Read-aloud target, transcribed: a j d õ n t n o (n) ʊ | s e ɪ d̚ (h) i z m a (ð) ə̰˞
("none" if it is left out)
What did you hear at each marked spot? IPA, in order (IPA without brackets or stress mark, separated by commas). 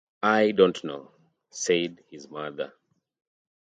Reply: none, h, ð